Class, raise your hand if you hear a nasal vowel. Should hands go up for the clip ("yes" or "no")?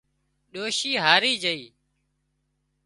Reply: no